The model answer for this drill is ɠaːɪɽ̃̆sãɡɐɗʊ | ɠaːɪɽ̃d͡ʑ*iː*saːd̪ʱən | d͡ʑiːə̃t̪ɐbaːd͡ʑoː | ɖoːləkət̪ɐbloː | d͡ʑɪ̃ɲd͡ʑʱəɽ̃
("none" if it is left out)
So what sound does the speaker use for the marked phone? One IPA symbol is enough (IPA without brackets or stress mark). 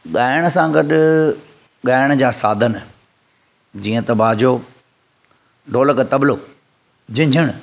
aː